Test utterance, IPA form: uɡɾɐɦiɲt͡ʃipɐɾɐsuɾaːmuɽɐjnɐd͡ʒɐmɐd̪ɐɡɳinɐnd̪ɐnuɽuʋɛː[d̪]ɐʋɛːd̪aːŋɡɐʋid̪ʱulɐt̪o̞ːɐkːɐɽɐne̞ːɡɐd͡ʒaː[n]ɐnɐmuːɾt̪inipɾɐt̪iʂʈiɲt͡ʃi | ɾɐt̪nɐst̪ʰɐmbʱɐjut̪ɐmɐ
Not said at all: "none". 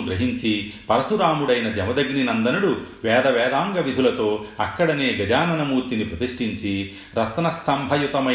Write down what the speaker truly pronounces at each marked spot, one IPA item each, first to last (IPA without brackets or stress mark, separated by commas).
d̪, n